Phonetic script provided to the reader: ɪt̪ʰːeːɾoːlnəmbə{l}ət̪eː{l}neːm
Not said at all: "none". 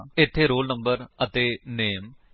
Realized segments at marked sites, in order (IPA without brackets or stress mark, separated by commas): ɾ, none